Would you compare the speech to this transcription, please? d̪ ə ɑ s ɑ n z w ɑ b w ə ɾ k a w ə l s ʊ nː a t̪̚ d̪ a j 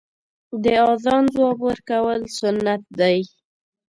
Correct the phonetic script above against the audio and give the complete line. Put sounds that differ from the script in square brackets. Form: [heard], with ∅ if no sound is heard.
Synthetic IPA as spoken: d̪ ə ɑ [z] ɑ n z w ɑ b w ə ɾ k a w ə l s ʊ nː a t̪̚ d̪ a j